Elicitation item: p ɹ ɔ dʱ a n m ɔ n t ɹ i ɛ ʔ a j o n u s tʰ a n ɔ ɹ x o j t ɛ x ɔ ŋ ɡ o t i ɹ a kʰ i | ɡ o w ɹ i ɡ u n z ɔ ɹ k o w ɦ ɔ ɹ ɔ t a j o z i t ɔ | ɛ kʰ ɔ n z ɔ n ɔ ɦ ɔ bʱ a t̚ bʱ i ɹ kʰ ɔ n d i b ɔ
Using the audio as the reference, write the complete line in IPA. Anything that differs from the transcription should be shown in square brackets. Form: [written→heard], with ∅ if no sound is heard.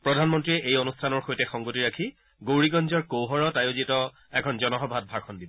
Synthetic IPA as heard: p ɹ ɔ dʱ a n m ɔ n t ɹ i ɛ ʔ [a→e] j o n u s tʰ a n ɔ ɹ x o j t ɛ x ɔ ŋ ɡ o t i ɹ a kʰ i | ɡ o w ɹ i ɡ [u→ɔ] n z ɔ ɹ k o w ɦ ɔ ɹ ɔ t a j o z i t ɔ | ɛ kʰ ɔ n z ɔ n ɔ ɦ ɔ bʱ a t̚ bʱ [i→a] ɹ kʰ ɔ n d i b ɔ